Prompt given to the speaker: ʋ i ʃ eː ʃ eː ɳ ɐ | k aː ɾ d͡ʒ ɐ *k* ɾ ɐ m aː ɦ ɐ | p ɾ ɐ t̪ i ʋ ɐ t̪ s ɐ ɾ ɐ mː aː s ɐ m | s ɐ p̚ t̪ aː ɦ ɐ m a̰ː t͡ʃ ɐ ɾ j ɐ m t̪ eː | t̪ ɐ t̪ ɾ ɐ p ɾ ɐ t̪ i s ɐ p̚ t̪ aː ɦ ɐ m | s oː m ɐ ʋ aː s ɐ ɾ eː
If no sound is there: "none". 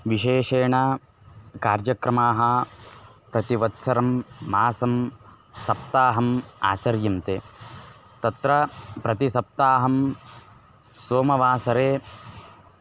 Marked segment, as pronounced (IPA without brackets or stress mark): k